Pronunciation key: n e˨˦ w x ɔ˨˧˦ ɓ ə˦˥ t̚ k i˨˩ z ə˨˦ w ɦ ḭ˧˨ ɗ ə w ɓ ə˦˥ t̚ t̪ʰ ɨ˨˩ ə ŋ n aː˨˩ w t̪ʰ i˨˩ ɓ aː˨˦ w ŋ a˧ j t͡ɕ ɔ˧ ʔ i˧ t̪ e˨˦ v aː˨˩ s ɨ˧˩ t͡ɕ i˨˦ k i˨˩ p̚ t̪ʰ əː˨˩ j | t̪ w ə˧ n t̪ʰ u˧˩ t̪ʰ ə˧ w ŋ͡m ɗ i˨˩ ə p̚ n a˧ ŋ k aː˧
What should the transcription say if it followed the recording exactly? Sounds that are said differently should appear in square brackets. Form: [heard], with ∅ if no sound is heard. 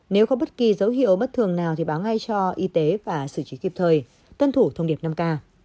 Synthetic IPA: n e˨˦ w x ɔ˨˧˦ ɓ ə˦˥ t̚ k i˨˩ z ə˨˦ w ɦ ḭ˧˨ [∅] ə w ɓ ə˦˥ t̚ t̪ʰ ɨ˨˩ ə ŋ n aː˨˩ w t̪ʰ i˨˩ ɓ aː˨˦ w ŋ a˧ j t͡ɕ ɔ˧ ʔ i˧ t̪ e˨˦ v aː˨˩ s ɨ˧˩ t͡ɕ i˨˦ k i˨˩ p̚ t̪ʰ əː˨˩ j | t̪ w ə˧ n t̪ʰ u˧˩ t̪ʰ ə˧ w ŋ͡m ɗ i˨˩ ə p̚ n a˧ [m] k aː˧